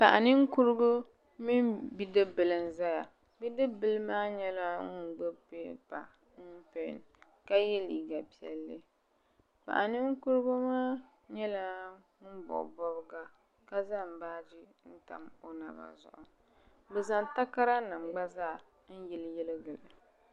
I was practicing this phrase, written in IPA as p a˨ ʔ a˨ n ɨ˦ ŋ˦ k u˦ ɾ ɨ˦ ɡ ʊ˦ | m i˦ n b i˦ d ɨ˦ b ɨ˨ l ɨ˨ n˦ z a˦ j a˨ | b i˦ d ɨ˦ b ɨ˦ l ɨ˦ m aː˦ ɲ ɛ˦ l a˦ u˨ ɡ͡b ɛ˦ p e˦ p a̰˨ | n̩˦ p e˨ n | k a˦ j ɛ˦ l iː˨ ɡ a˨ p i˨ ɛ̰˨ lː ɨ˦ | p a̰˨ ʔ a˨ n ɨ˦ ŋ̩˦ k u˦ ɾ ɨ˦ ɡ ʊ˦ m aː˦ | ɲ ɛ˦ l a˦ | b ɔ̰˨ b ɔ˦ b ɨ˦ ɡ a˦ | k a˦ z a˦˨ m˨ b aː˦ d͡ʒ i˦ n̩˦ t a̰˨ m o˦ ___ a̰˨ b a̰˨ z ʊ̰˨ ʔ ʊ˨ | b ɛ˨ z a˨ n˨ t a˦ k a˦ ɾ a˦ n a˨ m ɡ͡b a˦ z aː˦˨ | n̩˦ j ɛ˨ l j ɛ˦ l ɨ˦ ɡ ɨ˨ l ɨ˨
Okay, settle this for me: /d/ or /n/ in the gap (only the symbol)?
n